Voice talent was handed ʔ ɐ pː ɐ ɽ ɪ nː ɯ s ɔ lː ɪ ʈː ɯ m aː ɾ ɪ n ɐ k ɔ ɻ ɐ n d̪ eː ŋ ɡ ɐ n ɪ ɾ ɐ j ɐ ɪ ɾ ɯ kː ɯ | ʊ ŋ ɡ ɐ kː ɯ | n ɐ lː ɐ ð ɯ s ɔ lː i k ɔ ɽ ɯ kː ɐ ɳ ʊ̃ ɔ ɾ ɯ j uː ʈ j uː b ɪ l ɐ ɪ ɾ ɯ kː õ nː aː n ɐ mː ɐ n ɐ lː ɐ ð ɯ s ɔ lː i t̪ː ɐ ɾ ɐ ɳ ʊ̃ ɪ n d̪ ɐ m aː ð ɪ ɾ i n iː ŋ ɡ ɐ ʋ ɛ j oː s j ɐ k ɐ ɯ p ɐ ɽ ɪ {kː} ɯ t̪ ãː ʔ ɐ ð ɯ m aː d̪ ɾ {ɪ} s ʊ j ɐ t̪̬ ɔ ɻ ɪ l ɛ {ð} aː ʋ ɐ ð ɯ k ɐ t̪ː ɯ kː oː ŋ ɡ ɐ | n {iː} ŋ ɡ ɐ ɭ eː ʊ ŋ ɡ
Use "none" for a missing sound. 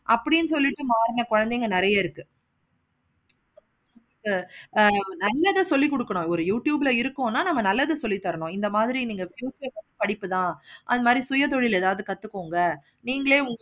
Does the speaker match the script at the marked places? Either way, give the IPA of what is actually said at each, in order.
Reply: pː, i, ð, iː

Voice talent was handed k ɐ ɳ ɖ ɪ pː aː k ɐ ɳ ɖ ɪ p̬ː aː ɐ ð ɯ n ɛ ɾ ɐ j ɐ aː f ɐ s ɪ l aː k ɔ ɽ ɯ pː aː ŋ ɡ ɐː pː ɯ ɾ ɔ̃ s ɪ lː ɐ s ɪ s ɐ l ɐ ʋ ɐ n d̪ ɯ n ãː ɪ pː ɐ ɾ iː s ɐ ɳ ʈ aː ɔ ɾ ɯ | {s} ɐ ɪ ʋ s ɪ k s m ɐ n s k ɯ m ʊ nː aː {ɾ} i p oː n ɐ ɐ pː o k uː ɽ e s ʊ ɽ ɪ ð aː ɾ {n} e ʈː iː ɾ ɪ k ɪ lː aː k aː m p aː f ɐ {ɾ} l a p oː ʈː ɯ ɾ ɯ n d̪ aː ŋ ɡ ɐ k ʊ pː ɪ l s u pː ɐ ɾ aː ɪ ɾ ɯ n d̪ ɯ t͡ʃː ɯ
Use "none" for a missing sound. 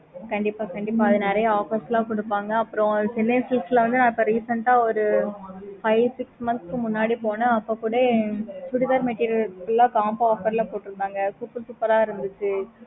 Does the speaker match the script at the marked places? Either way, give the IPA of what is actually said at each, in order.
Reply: f, ɽ, m, ɾ

